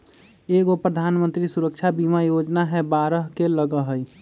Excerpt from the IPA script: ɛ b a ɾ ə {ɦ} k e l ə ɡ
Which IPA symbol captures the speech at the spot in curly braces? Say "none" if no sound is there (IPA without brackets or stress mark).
ɦ